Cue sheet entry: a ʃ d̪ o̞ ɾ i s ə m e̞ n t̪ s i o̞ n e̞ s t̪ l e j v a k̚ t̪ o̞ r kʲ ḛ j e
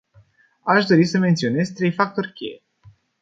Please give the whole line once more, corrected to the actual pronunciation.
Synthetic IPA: a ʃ d̪ o̞ ɾ i s ə m e̞ n t̪ s i o̞ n e̞ z t̪ ɾ e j f a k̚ t̪ o̞ r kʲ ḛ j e